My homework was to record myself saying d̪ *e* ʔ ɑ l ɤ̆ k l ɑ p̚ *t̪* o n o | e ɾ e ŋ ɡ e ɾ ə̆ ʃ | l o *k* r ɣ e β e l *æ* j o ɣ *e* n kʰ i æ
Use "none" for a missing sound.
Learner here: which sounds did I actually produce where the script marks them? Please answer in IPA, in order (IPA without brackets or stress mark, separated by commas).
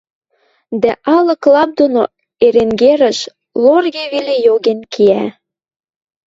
æ, d̪, none, e, e